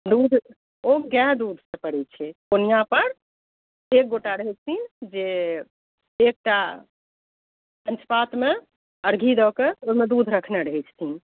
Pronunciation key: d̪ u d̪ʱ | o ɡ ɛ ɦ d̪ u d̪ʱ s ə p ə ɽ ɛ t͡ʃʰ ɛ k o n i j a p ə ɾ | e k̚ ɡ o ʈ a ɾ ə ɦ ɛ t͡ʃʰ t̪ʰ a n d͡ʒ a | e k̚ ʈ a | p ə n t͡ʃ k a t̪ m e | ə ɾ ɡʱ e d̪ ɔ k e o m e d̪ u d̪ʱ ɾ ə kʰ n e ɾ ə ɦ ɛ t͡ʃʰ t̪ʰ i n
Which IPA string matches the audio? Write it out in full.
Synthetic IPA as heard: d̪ u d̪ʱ | o ɡ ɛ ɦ d̪ u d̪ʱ s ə p ə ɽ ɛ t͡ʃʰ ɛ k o n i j a p ə ɾ | e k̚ ɡ o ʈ a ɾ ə ɦ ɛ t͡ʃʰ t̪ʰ i n d͡ʒ e | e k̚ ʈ a | p ə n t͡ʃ p a t̪ m e | ə ɾ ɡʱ i d̪ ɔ k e o m e d̪ u d̪ʱ ɾ ə kʰ n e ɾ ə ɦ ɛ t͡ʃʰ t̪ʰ i n